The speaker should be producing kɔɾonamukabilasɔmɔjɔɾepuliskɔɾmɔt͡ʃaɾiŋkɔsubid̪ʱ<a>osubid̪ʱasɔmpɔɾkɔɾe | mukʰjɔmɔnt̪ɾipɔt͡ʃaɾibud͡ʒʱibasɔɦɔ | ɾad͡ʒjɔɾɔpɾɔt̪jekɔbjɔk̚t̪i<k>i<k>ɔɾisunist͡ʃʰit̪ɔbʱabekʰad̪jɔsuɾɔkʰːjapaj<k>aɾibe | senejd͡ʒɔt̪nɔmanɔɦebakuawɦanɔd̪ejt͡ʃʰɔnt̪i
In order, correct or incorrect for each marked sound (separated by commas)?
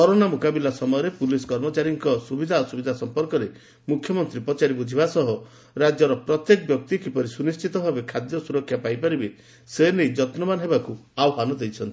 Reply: correct, correct, incorrect, incorrect